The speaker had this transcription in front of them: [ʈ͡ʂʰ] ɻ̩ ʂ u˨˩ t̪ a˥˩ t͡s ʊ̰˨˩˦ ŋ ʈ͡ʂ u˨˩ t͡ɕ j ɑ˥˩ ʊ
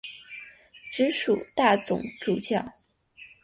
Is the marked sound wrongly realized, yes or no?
yes